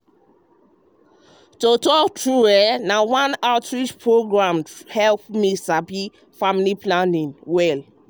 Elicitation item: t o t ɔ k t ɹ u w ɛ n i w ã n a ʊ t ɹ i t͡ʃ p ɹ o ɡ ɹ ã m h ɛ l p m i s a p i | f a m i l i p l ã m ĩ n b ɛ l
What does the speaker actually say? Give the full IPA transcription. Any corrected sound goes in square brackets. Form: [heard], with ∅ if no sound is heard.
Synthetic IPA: t o t ɔ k t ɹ u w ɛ n [a] w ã n a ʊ t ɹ i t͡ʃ p ɹ o ɡ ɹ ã m h ɛ l p m i s a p i | f a m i l i p l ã [n] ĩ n [w] ɛ l